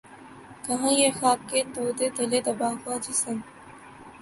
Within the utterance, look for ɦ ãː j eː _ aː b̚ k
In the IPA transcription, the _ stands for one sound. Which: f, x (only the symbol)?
x